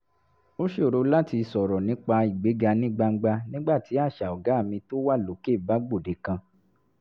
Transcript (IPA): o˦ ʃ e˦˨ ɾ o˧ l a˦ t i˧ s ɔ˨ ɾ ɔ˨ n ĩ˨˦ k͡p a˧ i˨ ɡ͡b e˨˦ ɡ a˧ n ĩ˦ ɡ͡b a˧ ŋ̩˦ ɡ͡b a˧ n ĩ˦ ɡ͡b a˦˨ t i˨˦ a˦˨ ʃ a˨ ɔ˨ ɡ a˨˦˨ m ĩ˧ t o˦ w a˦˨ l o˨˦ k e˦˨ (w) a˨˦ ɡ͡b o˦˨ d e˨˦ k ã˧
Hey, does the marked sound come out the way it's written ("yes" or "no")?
no